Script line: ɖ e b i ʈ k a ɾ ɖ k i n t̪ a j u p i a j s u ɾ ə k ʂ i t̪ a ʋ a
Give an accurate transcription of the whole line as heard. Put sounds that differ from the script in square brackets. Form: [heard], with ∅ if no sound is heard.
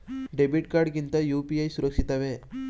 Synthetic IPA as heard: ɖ e b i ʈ k a ɾ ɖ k i n t̪ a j u p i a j s u ɾ ə k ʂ i t̪ a ʋ [e]